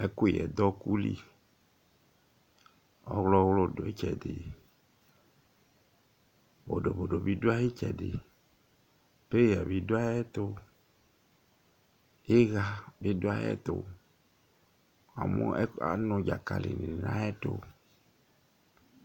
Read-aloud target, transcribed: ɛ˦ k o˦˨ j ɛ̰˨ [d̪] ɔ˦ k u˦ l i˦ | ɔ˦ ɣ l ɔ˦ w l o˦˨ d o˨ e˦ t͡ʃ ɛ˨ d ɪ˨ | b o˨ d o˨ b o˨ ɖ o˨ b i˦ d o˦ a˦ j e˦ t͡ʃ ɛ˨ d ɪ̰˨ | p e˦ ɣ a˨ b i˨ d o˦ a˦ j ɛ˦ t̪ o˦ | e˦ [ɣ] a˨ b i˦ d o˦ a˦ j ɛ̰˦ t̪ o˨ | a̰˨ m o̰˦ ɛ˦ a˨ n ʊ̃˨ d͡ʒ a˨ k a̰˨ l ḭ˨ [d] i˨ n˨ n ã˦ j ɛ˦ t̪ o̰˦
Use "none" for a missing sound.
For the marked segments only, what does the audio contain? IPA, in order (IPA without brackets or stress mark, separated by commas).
d̪, ɣ, n